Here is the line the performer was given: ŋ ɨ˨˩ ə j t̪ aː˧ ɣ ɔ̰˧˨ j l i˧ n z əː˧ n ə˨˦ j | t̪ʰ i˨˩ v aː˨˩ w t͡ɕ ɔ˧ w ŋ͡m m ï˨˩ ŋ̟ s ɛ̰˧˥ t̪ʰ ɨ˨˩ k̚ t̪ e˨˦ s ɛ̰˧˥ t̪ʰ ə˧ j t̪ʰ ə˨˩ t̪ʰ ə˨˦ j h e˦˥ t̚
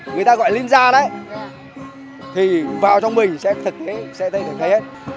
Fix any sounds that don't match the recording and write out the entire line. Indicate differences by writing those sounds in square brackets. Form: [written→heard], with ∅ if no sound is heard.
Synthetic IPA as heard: ŋ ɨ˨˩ ə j t̪ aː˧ ɣ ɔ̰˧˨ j l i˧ n z [əː˧→aː˧] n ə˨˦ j | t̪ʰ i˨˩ v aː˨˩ w t͡ɕ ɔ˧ w ŋ͡m m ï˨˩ ŋ̟ s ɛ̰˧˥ t̪ʰ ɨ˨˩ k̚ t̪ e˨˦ s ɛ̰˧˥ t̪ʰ ə˧ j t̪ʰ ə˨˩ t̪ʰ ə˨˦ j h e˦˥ t̚